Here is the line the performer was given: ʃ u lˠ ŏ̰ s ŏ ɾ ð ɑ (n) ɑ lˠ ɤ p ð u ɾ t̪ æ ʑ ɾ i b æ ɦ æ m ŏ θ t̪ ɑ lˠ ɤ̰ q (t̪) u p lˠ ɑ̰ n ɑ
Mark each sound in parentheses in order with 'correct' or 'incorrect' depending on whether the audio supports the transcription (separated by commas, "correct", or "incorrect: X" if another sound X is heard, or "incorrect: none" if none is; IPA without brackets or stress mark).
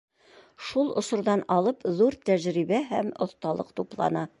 correct, correct